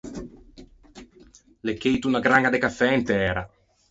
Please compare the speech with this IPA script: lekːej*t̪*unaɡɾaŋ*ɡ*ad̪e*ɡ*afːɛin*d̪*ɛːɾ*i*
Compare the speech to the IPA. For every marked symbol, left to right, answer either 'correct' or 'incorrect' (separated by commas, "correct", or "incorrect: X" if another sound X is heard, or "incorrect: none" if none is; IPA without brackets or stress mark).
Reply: correct, correct, incorrect: k, incorrect: t̪, incorrect: a